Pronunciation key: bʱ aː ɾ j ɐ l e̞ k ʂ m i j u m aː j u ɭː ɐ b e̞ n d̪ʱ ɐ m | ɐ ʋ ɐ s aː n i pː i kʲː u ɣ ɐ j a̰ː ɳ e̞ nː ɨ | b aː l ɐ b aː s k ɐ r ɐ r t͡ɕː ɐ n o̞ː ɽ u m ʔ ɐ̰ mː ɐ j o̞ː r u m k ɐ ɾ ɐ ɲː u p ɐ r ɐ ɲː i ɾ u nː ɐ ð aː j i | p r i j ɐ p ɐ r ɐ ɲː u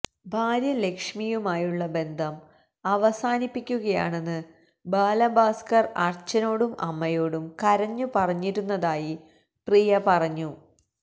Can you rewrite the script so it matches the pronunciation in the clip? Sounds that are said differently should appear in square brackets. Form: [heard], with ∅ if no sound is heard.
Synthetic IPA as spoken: bʱ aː ɾ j ɐ l e̞ k ʂ m i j u m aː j u ɭː ɐ b e̞ n d̪ʱ ɐ m | ɐ ʋ ɐ s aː n i pː i kʲː u ɣ ɐ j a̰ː ɳ e̞ nː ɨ | b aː l ɐ b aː s k ɐ r ɐ r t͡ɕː ɐ n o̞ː ɽ u m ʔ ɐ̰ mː ɐ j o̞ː [ɽ] u m k ɐ ɾ ɐ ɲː u p ɐ r ɐ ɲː i ɾ u nː ɐ ð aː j i | p r i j ɐ p ɐ r ɐ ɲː u